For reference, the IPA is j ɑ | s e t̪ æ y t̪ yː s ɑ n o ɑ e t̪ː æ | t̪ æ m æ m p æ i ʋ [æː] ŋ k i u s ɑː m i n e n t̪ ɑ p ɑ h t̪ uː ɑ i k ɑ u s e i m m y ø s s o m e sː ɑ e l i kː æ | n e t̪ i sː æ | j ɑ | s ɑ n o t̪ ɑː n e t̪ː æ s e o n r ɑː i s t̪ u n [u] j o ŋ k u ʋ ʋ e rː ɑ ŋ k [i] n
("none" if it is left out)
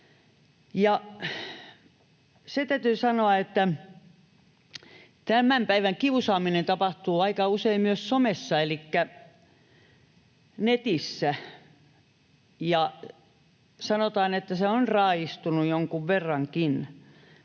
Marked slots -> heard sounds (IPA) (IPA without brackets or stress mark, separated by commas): æ, u, i